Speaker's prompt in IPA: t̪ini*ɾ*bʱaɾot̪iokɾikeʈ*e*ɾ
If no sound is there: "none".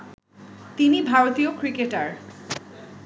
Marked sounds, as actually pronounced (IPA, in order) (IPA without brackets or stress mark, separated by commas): none, a